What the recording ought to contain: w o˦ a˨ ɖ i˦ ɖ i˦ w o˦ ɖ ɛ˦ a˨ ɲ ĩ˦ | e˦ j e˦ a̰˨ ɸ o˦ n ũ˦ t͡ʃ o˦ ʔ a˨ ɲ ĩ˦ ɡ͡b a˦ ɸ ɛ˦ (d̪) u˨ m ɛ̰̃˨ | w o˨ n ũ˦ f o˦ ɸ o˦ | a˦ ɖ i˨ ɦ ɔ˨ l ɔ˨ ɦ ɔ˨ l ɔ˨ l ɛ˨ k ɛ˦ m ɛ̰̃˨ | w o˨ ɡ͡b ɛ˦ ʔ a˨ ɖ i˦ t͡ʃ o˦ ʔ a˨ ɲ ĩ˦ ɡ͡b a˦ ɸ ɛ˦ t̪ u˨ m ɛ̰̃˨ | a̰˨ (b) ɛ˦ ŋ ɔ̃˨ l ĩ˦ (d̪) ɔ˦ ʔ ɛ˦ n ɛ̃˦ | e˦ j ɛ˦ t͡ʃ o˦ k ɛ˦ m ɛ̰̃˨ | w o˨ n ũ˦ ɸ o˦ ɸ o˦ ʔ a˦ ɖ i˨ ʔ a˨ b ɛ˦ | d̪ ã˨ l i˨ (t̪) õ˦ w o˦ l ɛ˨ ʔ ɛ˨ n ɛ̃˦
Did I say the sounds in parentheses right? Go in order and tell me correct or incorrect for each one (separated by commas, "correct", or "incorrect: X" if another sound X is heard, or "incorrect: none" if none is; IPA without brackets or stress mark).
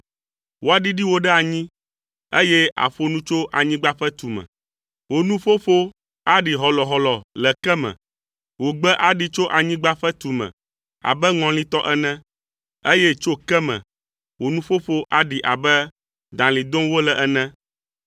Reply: incorrect: t̪, correct, incorrect: t̪, incorrect: d̪